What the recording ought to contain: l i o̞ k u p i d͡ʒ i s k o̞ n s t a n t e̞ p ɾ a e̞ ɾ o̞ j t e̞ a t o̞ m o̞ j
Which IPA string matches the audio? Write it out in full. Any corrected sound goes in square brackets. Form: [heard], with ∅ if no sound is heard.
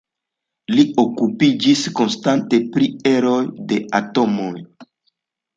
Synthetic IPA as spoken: l i o̞ k u p i d͡ʒ i s k o̞ n s t a n t e̞ p ɾ [i] e̞ ɾ o̞ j [d] e̞ a t o̞ m o̞ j